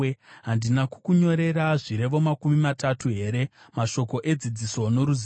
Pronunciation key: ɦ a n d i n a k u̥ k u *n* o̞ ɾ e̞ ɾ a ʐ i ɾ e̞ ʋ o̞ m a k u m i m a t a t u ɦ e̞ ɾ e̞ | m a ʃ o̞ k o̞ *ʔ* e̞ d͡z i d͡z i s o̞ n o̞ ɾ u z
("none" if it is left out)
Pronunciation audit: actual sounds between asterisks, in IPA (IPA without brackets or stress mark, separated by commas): ɲ, ʔ